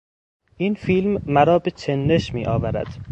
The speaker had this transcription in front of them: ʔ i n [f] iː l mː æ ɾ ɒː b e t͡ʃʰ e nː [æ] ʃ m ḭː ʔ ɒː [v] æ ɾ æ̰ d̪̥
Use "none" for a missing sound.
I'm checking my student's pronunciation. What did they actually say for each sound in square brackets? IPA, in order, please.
f, e, v

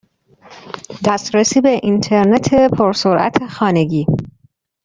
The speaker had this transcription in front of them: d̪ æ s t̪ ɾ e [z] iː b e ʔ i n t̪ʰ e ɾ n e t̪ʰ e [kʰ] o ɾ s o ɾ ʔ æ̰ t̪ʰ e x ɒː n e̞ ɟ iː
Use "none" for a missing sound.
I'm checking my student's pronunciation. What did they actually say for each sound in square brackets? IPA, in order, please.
s, pʰ

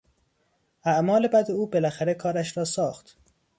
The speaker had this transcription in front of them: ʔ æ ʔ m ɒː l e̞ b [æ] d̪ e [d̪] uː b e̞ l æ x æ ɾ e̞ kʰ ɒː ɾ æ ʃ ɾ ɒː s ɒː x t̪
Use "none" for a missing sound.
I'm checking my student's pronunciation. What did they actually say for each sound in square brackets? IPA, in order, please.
æ, none

